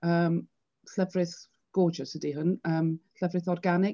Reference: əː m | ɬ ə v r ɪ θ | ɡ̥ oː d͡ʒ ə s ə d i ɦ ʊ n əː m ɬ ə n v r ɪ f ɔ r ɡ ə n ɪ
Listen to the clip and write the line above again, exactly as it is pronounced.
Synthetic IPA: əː m | ɬ ə v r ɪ θ | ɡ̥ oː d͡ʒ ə s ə d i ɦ ʊ n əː m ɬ ə v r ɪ θ ɔ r ɡ a n ɪ

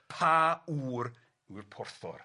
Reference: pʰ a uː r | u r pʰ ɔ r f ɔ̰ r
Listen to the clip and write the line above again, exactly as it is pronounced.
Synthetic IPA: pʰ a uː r | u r pʰ ɔ r θ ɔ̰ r

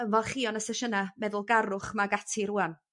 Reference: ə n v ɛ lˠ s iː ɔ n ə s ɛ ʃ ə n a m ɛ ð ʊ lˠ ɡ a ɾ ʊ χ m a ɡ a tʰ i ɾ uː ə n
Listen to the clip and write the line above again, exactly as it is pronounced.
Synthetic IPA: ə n v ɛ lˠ χ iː ɔ n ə s ɛ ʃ ə n a m ɛ ð ʊ lˠ ɡ a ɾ ʊ χ m a ɡ a tʰ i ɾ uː a n

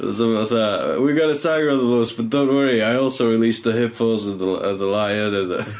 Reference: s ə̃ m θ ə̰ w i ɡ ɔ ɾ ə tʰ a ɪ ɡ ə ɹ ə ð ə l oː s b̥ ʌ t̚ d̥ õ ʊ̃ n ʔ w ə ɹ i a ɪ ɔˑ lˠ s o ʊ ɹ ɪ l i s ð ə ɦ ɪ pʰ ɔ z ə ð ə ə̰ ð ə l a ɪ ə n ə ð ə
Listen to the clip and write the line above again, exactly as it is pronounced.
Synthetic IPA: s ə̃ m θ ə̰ w i ɡ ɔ ɾ ə tʰ a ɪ ɡ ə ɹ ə ð ə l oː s b̥ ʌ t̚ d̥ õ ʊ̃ n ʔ w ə ɹ i a ɪ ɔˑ lˠ s o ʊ ɹ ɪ l i s ð ə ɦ ɪ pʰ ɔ z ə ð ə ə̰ ð ə l a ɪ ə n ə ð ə

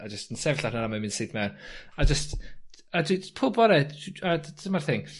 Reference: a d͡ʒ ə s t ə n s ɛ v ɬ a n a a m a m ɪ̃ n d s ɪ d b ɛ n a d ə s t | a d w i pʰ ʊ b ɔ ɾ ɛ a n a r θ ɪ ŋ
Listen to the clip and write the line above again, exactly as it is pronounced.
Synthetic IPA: a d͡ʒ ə s t ə n s ɛ v ɬ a n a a m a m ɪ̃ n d s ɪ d m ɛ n a d͡ʒ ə s t | a d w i pʰ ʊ b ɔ ɾ ɛ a m a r θ ɪ ŋ

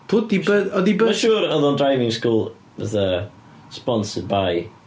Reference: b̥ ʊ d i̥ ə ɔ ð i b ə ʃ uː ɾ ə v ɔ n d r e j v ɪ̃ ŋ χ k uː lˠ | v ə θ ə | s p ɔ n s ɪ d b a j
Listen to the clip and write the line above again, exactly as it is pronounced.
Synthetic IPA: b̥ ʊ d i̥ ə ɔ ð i b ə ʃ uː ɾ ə ð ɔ n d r a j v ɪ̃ ŋ s k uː lˠ | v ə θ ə | s p ɔ n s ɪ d b a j

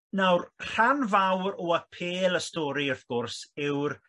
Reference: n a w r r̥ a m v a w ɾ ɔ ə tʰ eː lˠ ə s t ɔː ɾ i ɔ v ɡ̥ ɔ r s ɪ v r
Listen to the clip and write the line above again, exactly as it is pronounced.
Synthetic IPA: n a w r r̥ a n v a w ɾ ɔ ə pʰ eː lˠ ə s t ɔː ɾ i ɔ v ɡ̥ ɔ r s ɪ w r

